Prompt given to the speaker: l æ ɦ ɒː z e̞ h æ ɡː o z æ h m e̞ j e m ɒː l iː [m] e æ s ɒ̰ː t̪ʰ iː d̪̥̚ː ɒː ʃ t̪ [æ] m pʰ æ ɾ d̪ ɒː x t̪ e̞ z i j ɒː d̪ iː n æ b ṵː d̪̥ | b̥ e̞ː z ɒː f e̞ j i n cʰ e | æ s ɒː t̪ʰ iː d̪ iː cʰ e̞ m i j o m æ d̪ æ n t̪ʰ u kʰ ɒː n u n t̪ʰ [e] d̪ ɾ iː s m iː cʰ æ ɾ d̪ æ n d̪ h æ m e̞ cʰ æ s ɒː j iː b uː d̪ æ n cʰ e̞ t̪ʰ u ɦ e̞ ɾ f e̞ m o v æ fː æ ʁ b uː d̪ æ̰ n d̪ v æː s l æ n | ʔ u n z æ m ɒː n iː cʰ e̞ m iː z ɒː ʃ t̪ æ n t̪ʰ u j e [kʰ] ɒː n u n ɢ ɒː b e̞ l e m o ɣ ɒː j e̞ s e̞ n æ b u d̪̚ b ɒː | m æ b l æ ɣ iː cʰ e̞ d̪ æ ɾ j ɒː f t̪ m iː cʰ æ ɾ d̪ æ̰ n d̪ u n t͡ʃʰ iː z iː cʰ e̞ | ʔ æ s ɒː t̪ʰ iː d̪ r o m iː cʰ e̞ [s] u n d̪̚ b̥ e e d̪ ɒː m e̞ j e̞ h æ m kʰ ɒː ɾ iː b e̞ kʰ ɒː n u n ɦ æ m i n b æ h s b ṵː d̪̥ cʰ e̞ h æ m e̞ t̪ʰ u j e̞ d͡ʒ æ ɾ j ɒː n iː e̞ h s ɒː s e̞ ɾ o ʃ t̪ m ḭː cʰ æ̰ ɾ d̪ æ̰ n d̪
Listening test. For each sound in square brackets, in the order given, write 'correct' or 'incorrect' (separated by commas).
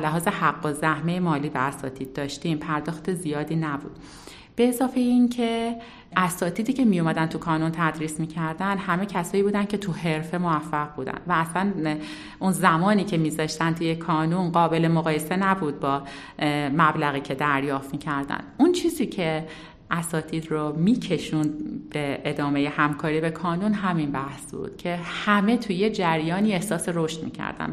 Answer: incorrect, incorrect, incorrect, correct, incorrect